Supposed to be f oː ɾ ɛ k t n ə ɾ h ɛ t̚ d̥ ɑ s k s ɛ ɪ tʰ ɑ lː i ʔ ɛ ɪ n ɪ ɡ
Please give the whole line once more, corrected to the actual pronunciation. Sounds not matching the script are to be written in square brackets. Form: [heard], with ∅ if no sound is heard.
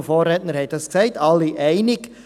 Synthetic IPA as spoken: f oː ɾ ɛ [∅] t n ə ɾ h ɛ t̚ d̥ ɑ s k s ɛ ɪ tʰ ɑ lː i ʔ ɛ ɪ n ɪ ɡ